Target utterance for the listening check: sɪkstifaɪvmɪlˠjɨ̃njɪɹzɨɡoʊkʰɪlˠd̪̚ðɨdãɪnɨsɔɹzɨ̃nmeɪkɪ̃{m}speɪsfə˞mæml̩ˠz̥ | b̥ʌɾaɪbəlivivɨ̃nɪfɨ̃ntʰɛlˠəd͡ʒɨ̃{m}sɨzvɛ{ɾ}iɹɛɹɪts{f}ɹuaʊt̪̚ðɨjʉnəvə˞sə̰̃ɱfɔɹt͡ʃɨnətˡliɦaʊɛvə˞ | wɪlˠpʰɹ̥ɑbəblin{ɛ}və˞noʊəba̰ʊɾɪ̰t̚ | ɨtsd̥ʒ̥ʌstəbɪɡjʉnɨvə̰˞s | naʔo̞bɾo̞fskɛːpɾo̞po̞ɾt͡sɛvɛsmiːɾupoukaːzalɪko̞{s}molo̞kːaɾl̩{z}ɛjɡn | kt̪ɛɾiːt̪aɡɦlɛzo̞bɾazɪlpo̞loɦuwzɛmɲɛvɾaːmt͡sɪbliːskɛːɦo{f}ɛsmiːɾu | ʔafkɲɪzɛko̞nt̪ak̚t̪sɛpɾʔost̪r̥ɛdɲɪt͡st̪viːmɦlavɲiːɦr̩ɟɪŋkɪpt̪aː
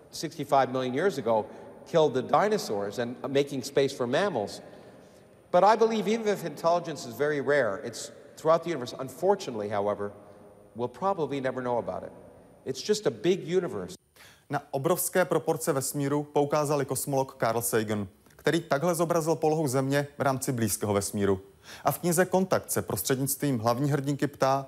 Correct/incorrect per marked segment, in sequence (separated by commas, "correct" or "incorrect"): incorrect, incorrect, incorrect, incorrect, correct, correct, incorrect, incorrect